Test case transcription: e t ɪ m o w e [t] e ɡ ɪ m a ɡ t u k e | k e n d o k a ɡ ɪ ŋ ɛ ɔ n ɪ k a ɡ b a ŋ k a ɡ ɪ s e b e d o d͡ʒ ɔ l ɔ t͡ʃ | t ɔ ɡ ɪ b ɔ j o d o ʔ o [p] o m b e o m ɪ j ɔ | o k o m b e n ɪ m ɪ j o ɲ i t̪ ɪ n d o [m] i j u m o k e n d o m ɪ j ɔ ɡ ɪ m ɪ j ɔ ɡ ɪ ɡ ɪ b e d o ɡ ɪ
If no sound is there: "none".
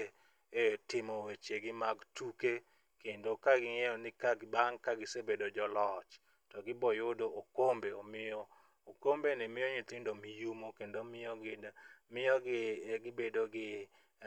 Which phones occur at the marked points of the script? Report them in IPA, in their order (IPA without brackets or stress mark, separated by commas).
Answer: t͡ʃ, k, m